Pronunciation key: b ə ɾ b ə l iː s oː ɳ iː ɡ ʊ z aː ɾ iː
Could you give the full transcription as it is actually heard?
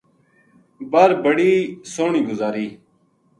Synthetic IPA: b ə ɾ b ə ɽ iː s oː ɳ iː ɡ ʊ z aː ɾ iː